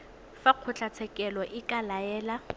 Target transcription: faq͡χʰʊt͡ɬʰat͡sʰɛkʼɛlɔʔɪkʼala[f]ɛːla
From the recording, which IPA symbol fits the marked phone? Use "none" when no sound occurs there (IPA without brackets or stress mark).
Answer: none